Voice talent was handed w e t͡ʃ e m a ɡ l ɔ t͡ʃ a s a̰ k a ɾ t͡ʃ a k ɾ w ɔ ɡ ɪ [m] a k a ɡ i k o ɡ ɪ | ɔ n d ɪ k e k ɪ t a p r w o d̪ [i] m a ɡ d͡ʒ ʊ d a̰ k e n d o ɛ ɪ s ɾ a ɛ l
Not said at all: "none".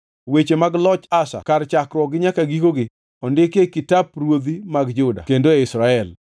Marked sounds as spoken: ɲ, i

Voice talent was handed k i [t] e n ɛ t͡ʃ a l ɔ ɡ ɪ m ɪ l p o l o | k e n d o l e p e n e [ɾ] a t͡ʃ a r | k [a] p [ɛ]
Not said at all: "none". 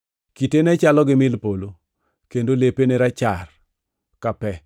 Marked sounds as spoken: t, ɾ, a, ɛ

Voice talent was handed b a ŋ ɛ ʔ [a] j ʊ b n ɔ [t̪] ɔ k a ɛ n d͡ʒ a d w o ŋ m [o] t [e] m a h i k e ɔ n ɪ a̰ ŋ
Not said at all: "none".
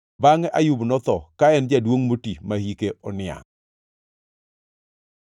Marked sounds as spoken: a, t̪, o, i

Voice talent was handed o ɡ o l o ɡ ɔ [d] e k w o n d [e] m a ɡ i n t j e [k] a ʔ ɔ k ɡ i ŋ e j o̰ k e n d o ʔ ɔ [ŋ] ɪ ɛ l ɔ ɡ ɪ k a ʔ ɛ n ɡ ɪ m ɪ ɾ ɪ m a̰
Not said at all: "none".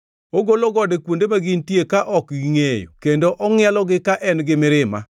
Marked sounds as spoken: d, e, k, ŋ

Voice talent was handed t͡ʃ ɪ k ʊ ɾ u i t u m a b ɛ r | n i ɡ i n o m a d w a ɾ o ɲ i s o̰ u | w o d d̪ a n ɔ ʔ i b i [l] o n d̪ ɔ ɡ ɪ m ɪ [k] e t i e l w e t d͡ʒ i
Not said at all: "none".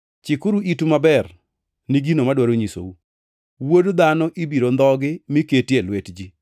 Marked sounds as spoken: ɾ, k

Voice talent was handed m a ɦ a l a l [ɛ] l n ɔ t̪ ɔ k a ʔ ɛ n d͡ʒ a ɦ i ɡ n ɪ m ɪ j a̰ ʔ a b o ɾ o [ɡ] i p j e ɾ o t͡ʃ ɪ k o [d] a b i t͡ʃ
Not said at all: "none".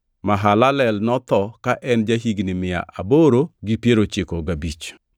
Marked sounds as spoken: ɛ, ɡ, ɡ

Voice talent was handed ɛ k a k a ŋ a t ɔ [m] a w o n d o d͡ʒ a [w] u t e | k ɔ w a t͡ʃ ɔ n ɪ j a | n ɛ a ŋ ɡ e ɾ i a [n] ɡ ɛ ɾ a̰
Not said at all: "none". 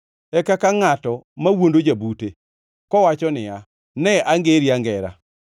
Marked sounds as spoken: m, b, ŋ

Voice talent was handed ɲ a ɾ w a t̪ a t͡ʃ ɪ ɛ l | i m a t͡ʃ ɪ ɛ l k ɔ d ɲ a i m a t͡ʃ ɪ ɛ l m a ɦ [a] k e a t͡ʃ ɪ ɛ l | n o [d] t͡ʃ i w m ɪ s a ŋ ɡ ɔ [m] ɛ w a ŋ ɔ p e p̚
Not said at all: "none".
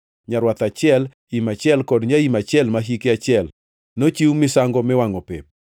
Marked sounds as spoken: i, none, m

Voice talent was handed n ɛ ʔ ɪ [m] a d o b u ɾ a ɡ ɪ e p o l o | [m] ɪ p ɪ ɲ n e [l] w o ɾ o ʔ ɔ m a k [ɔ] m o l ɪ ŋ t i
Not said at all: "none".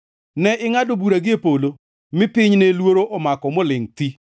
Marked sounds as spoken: ŋ, m, l, ɔ

